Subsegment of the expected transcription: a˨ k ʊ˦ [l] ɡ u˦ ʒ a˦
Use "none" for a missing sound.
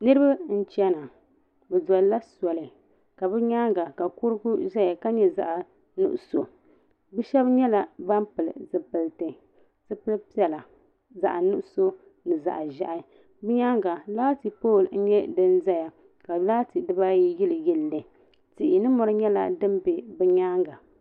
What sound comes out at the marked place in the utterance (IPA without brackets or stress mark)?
ɾ